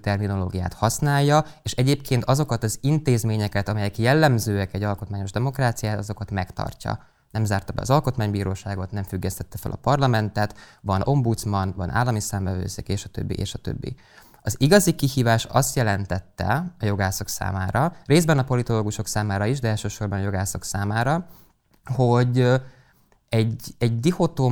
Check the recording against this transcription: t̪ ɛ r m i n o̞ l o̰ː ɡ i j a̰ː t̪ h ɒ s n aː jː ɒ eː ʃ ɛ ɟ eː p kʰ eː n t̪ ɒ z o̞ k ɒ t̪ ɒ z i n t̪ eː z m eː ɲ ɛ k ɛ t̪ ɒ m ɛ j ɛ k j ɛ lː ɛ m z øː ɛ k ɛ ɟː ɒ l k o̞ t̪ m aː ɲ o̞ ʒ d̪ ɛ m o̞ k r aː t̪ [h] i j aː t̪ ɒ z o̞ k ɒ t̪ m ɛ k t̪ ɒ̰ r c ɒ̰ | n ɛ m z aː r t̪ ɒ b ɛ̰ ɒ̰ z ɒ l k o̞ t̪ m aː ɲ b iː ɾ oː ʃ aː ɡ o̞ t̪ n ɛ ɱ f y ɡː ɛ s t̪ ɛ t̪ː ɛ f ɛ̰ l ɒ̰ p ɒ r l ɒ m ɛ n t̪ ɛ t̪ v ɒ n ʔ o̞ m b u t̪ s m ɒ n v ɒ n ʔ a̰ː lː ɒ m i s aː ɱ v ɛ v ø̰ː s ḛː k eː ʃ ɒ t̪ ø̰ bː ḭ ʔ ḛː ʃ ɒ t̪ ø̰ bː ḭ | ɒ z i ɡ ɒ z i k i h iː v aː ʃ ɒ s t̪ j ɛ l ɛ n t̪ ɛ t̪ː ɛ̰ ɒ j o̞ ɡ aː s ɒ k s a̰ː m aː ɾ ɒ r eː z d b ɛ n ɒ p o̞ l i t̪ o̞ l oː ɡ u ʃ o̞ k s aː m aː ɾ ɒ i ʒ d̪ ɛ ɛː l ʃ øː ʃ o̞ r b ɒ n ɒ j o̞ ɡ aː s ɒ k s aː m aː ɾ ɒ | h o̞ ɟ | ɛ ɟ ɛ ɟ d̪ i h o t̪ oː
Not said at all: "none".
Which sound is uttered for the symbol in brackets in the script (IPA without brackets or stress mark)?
s